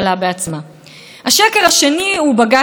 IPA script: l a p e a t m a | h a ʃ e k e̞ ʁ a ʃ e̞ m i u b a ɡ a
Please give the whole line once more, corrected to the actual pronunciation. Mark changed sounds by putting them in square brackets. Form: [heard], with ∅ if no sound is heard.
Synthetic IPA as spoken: l a [b] e a [t͡s] m a | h a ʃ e k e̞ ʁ a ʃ e̞ [n] i u b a ɡ a

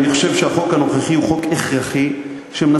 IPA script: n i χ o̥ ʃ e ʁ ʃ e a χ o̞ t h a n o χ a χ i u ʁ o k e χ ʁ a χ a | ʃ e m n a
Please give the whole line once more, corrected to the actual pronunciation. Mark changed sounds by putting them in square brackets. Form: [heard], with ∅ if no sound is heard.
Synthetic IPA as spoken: n i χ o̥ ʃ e [v] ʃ e a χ o̞ [k] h a n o χ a χ i u [χ] o k e χ ʁ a χ [i] | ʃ e m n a

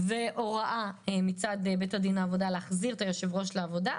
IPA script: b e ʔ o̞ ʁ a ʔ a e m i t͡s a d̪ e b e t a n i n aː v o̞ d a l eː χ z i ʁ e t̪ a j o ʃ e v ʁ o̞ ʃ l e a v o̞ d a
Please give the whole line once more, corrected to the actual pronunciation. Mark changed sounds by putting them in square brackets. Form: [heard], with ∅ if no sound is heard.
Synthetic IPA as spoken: [v] e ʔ o̞ ʁ a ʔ a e m i t͡s a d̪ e b e t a [d] i n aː v o̞ d a l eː χ z i ʁ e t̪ a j o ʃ e v ʁ o̞ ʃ l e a v o̞ d a

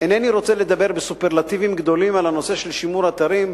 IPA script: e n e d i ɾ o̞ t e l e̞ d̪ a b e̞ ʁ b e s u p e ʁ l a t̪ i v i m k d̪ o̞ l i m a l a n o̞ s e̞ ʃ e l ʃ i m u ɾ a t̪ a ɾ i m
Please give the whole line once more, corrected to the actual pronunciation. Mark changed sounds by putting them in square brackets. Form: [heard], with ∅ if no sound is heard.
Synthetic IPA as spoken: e n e [n] i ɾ o̞ [t͡s] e l e̞ d̪ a b e̞ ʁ b e s u p e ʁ l a t̪ i v i m [ɡ] d̪ o̞ l i m a l a n o̞ s e̞ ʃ e l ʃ i m u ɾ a t̪ a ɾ i m

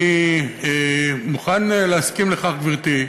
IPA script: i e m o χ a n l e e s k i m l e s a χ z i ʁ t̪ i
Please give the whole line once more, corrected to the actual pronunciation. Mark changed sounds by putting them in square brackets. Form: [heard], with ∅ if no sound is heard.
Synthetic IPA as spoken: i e m [u] χ a n l e [a] s k i m l e [χ] a χ [v] i ʁ t̪ i

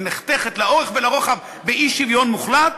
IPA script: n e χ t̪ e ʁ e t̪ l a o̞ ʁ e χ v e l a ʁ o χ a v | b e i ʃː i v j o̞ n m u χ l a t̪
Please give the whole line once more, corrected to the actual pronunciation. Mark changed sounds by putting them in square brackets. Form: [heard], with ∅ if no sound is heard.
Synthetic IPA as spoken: n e χ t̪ e [χ] e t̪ l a o̞ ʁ e χ v e l a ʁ o χ a v | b e i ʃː i v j o̞ n m u χ l a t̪

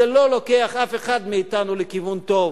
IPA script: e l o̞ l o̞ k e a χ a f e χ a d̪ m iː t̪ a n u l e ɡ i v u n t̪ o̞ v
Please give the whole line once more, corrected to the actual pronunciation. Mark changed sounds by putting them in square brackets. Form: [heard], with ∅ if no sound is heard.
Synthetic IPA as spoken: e l o̞ l o̞ k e a χ a f e χ a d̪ m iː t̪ a n u l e [k] i v u n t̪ o̞ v

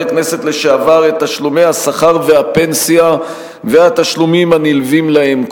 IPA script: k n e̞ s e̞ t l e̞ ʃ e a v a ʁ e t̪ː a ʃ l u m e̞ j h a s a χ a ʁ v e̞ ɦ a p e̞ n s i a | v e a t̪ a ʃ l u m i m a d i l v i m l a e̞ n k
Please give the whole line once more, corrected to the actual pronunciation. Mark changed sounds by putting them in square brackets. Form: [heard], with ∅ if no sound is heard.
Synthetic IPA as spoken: k n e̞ s e̞ t l e̞ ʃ e a v a ʁ e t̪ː a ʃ l u m e̞ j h a s a χ a ʁ v e̞ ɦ a p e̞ n s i a | v e a t̪ a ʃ l u m i m a [n] i l v i m l a e̞ [m] k

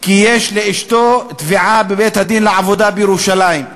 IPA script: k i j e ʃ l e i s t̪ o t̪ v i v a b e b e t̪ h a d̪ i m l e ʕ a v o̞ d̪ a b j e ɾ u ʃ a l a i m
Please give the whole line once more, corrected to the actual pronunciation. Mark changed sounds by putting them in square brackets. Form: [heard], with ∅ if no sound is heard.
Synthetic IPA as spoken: k i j e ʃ l e i [ʃ] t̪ o t̪ v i [ʕ] a b e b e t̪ h a d̪ i [n] l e ʕ a v o̞ d̪ a b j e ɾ u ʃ a l a i m

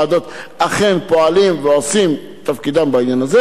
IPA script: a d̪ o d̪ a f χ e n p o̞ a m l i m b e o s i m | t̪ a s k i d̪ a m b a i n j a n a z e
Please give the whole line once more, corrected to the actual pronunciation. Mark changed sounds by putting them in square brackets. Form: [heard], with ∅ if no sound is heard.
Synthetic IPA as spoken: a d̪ o [t̪] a [∅] χ e n p o̞ a [∅] l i m [v] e o s i m | t̪ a [f] k i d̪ a m b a i n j a n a z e

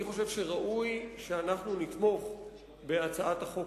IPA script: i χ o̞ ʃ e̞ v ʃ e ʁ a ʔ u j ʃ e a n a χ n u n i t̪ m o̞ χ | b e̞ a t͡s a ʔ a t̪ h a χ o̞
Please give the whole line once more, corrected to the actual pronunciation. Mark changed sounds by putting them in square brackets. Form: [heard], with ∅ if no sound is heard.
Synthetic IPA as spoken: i χ o̞ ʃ e̞ v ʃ e ʁ a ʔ u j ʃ e a n a χ n u n i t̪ m o̞ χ | b e̞ a t͡s a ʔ a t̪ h a χ o̞

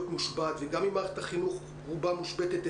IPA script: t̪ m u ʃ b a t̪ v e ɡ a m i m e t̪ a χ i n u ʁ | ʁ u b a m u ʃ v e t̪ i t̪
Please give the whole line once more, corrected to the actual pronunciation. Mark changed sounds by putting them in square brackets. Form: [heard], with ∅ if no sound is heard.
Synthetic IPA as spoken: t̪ m u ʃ b a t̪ v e ɡ a m i m [a] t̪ a χ i n u [χ] | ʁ u b a m u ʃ [b] e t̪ [e] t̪

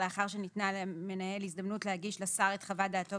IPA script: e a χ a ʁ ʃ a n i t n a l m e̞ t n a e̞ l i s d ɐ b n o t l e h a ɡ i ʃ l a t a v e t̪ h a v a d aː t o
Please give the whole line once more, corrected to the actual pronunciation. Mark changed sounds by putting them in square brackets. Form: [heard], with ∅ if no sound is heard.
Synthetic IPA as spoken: e a χ a ʁ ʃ [e] n i t n a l m e̞ [∅] n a e̞ l i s d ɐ [m] n [u] t l e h a ɡ i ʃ l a [s] a [ʁ] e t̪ [χ] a v a d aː t o

